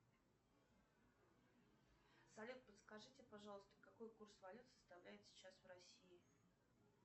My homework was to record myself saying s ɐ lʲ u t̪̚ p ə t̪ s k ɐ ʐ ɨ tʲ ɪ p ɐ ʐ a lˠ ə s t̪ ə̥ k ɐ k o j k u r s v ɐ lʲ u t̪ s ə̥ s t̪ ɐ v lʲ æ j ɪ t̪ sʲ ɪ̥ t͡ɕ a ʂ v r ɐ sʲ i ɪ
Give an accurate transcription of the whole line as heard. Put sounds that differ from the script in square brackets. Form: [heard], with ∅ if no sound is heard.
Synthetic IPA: s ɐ lʲ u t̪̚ p ə t̪ s k ɐ ʐ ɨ tʲ ɪ p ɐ ʐ [ɑ] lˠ ə s t̪ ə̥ k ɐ k o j k u r s v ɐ lʲ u t̪ s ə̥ s t̪ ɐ v lʲ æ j ɪ t̪ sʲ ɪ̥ t͡ɕ a [s] v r ɐ sʲ i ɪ